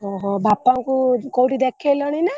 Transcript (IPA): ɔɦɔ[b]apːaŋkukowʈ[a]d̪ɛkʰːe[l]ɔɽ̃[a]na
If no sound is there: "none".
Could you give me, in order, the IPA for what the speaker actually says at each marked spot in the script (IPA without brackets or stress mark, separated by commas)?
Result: b, i, l, i